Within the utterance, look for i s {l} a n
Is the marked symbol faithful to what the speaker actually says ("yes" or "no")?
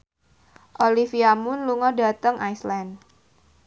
yes